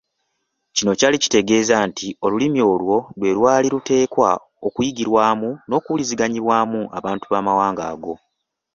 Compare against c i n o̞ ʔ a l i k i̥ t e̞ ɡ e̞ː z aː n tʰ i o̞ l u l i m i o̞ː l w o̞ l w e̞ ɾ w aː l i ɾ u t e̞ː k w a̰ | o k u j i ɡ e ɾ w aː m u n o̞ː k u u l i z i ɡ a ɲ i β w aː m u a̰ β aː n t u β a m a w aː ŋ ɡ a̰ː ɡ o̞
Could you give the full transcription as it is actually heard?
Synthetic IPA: c i n o̞ c a l i c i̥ t e̞ ɡ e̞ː z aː n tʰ i o̞ l u l i m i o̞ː l w o̞ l w e̞ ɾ w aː l i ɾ u t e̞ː k w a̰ | o k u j i ɡ i ɾ w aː m u n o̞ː k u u l i z i ɡ a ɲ i β w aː m u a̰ β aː n t u β a m a w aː ŋ ɡ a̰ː ɡ o̞